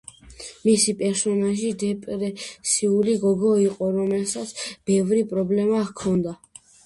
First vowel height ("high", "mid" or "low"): high